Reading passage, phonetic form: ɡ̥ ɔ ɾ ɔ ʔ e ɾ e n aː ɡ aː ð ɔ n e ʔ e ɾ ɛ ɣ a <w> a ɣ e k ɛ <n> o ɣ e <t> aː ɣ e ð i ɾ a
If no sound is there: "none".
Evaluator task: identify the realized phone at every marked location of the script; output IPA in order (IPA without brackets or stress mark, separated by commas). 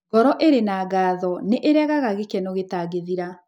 ɣ, n, t